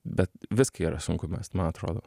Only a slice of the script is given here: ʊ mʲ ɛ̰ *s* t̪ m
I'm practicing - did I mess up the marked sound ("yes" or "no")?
no